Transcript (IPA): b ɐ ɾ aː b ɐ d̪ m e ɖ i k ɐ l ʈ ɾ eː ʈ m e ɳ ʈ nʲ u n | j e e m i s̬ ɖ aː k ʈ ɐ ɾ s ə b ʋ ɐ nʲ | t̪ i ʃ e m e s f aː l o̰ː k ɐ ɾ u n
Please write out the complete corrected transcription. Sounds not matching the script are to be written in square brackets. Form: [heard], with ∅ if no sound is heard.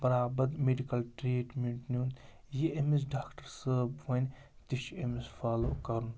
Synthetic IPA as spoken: b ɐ ɾ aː b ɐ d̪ m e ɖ i k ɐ l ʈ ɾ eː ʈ m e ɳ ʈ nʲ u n | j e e m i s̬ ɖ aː k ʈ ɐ ɾ s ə b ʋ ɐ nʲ | t̪ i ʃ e m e s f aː l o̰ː k ɐ ɾ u n